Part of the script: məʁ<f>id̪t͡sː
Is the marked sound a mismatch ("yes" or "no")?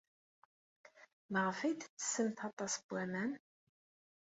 no